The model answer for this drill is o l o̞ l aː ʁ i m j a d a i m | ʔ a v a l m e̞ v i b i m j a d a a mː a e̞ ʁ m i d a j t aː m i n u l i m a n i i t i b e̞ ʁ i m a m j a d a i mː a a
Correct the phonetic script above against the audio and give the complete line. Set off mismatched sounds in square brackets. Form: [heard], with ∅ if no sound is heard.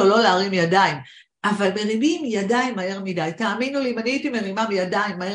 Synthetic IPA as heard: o l o̞ l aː ʁ i m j a d a i m | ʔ a v a l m e̞ [ʁ] i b i m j a d a [i] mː a e̞ ʁ m i d a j t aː m i n u l i m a n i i t i [m] e̞ ʁ i m a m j a d a i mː a [e]